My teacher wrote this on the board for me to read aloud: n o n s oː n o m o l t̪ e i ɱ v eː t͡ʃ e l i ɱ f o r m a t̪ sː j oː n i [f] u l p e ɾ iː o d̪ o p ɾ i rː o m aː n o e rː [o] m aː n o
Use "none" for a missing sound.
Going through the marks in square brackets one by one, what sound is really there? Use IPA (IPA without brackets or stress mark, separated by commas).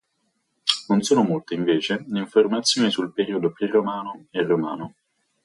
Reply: s, o